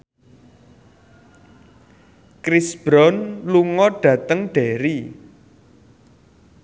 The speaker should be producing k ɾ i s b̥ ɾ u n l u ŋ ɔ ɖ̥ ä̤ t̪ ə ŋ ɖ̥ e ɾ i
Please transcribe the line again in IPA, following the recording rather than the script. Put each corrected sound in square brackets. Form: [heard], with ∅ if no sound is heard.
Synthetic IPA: k ɾ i s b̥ ɾ [ɔ] n l u ŋ ɔ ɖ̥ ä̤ t̪ ə ŋ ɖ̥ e ɾ i

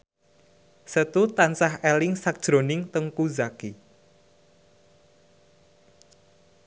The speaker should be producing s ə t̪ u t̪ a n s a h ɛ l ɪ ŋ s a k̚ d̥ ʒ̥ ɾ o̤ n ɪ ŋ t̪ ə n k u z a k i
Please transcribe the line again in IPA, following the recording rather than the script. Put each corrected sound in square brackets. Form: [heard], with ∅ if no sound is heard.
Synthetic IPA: s ə t̪ u t̪ a n s a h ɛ l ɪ ŋ s a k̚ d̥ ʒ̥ ɾ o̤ n ɪ ŋ t̪ ə [ŋ] k u z a k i

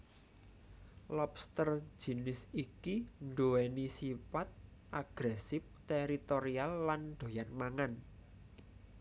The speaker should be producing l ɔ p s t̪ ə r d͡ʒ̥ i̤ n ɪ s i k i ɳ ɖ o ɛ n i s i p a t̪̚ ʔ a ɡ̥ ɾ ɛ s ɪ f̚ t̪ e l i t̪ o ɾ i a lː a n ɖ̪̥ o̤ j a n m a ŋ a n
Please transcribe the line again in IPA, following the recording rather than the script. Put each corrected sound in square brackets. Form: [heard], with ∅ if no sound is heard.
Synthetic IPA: l ɔ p s t̪ ə r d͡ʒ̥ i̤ n ɪ s i k i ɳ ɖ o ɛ n i s i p a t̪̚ ʔ a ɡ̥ ɾ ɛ s ɪ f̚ t̪ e [ɾ] i t̪ o ɾ i a lː a n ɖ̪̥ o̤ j a n m a ŋ a n

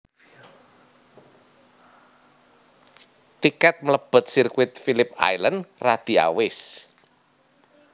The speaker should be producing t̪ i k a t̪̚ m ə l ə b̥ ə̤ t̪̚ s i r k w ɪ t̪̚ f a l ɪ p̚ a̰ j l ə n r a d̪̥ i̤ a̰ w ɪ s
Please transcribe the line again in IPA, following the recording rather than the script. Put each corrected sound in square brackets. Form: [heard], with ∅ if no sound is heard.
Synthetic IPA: t̪ i k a t̪̚ m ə l ə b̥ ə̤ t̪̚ s i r k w ɪ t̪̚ f [i] l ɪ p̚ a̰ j l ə n r a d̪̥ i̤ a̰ w ɪ s

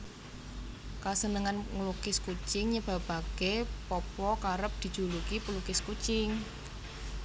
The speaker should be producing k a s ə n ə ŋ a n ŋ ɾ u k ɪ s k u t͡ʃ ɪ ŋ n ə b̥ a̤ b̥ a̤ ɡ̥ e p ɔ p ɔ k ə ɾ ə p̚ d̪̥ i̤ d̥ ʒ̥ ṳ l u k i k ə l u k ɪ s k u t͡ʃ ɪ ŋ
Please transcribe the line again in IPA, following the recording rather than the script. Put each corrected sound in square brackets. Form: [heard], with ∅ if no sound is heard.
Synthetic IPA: k a s ə n ə ŋ a n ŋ [l] u k ɪ s k u t͡ʃ ɪ ŋ [ɲ] ə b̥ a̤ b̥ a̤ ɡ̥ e p ɔ p ɔ k [a] ɾ ə p̚ d̪̥ i̤ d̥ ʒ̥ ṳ l u k i [p] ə l u k ɪ s k u t͡ʃ ɪ ŋ

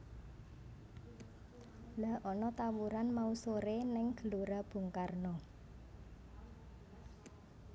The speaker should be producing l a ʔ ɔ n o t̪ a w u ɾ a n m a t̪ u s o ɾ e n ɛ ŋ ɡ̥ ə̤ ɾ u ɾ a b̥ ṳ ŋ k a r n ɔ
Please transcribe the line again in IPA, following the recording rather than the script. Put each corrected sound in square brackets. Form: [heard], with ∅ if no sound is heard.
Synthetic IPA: l a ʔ ɔ n [ɔ] t̪ a w u ɾ a n m a [∅] u s o ɾ e n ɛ ŋ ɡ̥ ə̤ [l] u ɾ a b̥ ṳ ŋ k a r n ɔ

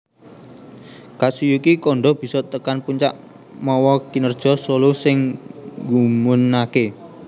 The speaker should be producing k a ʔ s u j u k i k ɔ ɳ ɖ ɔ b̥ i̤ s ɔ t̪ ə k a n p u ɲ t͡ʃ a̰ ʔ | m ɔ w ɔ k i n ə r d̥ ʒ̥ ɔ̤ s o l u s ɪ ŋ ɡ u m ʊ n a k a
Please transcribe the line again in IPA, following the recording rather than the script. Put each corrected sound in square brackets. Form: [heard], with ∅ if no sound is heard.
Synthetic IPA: k a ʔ s u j u k i k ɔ ɳ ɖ ɔ b̥ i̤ s ɔ t̪ ə k a n p u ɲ t͡ʃ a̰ ʔ | m ɔ w ɔ k i n ə r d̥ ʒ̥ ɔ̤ s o l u s ɪ ŋ ɡ u m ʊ n a k [e]

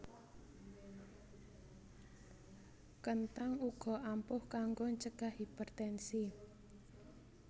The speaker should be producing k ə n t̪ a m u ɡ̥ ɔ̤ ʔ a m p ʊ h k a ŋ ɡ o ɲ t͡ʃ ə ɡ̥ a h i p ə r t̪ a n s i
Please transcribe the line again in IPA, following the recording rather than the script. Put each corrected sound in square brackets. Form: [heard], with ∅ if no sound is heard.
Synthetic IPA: k ə n t̪ a [ŋ] u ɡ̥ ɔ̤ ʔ a m p ʊ h k a ŋ ɡ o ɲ t͡ʃ ə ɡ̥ a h i p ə r t̪ [ɛ] n s i

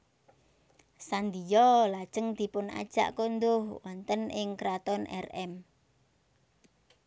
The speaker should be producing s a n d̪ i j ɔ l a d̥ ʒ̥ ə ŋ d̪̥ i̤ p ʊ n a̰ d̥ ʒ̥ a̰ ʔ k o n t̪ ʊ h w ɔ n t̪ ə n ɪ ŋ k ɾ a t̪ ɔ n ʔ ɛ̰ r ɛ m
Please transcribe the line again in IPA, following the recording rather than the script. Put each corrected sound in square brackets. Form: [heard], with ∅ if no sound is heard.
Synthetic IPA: s a n d̪ i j ɔ l a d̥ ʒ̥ ə ŋ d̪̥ i̤ p ʊ n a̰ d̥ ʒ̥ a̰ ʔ k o n [d̪] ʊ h w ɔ n t̪ ə n ɪ ŋ k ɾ a t̪ ɔ n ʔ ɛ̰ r ɛ m

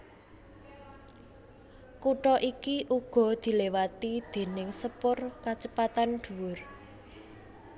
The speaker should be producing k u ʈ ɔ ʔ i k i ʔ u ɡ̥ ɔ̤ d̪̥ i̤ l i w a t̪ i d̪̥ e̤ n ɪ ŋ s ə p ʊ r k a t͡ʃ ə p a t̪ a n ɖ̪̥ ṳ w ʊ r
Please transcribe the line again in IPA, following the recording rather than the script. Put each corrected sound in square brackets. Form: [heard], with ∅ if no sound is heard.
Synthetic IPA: k u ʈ ɔ ʔ i k i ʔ u ɡ̥ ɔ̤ d̪̥ i̤ l [e] w a t̪ i d̪̥ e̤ n ɪ ŋ s ə p ʊ r k a t͡ʃ ə p a t̪ a n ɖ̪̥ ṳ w ʊ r

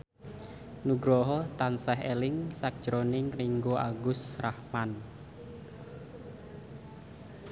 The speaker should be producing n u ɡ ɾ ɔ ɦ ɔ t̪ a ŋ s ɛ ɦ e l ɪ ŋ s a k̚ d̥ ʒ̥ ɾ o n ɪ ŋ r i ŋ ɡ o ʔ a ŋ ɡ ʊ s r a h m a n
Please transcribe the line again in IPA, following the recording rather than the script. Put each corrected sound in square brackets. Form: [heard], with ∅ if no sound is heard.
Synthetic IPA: n u ɡ ɾ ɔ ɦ ɔ t̪ a [n] s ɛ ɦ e l ɪ ŋ s a k̚ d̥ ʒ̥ ɾ o n ɪ ŋ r i ŋ ɡ o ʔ a [∅] ɡ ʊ s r a h m a n

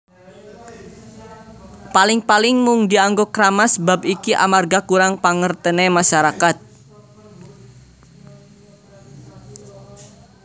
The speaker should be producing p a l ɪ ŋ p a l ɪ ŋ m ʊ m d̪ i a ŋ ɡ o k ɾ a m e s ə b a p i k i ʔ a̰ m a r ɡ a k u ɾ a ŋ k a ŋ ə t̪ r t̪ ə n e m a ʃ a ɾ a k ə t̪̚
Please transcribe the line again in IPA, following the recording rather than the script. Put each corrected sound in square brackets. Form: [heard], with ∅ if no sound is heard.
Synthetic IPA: p a l ɪ ŋ p a l ɪ ŋ m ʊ [ŋ] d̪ i a ŋ ɡ o k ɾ a m [a] s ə b a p i k i ʔ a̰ m a r ɡ a k u ɾ a ŋ [p] a ŋ ə [∅] r t̪ ə n e m a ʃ a ɾ a k [a] t̪̚

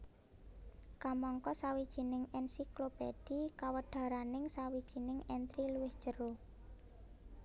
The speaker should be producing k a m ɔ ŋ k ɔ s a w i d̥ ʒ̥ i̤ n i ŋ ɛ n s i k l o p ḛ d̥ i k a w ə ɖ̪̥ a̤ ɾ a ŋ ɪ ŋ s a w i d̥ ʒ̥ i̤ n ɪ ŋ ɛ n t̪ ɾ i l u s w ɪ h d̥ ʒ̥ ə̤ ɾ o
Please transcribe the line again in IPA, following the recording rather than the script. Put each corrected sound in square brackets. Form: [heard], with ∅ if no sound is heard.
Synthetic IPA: k a m ɔ ŋ k ɔ s a w i d̥ ʒ̥ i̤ n [ɪ] ŋ ɛ n s i k l o p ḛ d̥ i k a w ə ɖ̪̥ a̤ ɾ a [n] ɪ ŋ s a w i d̥ ʒ̥ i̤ n ɪ ŋ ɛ n t̪ ɾ i l u [∅] w ɪ h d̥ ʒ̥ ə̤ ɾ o

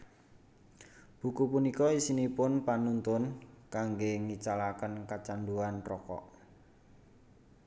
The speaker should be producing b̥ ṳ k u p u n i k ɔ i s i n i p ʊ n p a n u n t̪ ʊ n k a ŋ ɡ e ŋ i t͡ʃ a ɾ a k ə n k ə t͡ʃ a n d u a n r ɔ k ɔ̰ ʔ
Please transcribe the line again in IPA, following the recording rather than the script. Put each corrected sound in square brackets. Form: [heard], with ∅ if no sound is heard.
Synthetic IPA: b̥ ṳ k u p u n i k ɔ i s i n i p ʊ n p a n u n t̪ ʊ n k a ŋ ɡ e ŋ i t͡ʃ a [l] a k ə n k [a] t͡ʃ a n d u a n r ɔ k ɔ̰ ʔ

